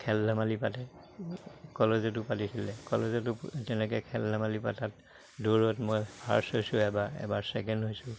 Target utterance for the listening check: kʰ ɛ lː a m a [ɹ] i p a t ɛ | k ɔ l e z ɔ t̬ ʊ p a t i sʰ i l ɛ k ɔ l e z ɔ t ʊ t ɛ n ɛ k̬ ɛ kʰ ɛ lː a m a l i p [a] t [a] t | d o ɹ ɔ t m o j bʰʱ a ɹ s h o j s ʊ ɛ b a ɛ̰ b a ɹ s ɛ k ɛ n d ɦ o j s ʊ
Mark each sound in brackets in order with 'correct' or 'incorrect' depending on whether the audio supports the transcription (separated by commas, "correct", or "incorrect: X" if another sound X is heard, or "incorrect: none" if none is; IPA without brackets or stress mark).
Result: incorrect: l, correct, correct